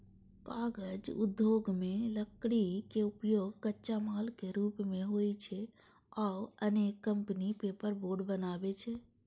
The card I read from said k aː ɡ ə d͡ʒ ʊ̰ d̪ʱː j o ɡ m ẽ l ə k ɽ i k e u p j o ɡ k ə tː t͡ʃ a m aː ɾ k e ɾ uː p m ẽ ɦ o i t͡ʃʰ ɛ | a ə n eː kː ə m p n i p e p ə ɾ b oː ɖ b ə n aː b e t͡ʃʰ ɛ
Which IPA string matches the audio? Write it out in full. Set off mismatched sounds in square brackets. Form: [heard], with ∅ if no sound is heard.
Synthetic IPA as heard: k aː ɡ ə d͡ʒ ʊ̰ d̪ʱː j o ɡ m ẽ l ə k ɽ i k e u p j o ɡ k ə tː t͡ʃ a m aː [l] k e ɾ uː p m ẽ ɦ o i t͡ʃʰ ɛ | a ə n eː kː ə m p n i p e p ə ɾ b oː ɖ b ə n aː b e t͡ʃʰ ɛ